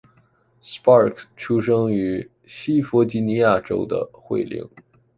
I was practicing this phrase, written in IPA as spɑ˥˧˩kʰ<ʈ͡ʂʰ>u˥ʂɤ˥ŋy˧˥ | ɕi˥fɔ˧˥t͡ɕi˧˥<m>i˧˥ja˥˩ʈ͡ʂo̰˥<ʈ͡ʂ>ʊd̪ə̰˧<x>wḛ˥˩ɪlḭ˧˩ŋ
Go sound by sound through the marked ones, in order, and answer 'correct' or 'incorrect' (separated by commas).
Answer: correct, incorrect, incorrect, correct